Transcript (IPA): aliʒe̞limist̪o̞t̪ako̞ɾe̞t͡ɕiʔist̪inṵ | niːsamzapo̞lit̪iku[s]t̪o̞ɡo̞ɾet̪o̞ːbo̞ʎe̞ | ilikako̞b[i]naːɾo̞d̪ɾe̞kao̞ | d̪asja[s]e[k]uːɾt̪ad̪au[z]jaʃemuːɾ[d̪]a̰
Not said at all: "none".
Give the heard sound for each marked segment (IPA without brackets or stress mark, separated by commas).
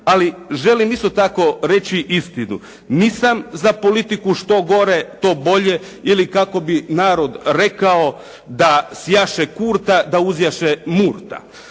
ʃ, i, ʃ, k, z, t̪